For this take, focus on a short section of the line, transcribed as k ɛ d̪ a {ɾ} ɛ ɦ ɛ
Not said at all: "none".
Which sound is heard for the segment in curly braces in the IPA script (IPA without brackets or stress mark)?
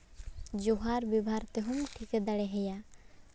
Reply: ɽ